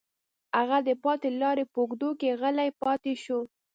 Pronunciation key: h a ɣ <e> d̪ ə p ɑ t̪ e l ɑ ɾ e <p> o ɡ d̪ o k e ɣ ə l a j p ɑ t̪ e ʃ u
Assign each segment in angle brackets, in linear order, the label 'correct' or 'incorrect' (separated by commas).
incorrect, correct